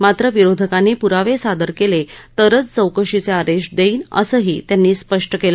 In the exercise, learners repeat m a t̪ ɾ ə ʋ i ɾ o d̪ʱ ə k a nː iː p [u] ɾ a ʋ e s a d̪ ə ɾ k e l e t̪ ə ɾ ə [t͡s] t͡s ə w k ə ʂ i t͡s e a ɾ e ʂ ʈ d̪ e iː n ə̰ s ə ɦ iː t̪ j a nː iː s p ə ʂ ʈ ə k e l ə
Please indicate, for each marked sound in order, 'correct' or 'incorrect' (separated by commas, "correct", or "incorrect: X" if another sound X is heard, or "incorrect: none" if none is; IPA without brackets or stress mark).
correct, correct